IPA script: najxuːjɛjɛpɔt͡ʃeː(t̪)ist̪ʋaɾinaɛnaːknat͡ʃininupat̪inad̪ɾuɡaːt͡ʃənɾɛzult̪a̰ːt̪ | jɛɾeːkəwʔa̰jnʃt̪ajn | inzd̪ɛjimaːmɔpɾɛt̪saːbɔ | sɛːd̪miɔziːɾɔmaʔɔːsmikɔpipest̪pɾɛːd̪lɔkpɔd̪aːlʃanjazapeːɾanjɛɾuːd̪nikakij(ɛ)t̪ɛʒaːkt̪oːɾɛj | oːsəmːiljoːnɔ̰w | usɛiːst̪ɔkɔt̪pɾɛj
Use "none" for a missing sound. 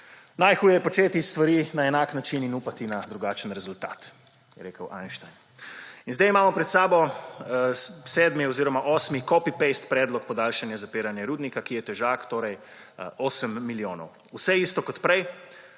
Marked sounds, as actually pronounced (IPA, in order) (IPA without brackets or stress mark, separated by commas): t̪, ɛ